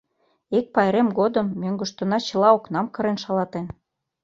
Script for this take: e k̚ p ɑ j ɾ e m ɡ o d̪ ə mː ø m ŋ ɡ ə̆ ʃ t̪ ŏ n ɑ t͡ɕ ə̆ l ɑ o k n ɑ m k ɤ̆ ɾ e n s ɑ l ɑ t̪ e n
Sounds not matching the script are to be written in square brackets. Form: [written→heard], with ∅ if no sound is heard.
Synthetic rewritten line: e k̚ p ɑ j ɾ e m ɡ o d̪ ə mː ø [m→∅] ŋ ɡ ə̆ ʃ t̪ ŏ n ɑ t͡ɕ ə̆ l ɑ o k n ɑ m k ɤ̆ ɾ e n [s→ʃ] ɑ l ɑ t̪ e n